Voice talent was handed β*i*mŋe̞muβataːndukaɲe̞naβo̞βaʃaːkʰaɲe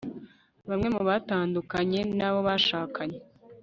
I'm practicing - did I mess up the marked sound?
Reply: yes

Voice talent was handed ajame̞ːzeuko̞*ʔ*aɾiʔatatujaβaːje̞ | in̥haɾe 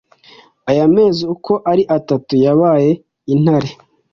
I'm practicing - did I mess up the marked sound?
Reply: no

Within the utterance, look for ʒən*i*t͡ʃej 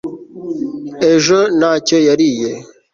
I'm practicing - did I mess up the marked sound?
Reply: yes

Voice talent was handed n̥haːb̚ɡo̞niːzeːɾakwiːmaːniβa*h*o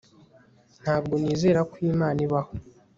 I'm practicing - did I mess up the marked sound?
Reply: no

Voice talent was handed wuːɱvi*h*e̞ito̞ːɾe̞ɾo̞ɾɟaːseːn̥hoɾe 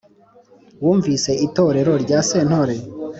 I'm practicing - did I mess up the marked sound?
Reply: yes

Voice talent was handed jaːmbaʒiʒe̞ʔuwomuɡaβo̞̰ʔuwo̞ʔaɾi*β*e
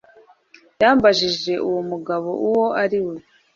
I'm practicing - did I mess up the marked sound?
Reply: yes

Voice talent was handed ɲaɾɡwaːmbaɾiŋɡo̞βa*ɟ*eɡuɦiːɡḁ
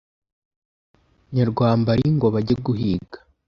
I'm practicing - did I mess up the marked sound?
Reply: no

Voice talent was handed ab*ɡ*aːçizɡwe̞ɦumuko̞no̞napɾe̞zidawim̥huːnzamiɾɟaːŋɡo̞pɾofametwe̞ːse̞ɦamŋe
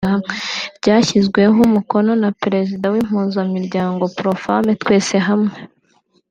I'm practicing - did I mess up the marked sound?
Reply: yes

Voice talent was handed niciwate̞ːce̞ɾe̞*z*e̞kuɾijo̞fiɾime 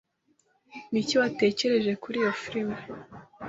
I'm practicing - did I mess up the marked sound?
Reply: yes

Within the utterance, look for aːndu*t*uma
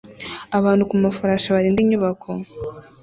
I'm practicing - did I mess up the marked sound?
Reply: yes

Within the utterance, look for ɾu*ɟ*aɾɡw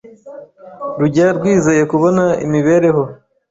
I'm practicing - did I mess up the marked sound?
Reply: no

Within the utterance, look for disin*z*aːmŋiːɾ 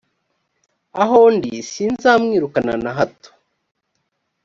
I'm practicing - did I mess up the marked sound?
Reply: no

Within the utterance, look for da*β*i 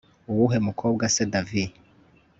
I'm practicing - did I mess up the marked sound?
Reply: yes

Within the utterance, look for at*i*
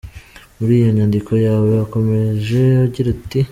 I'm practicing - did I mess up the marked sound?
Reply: no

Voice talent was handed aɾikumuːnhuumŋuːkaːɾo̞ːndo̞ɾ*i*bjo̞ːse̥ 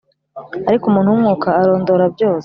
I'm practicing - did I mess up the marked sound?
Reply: yes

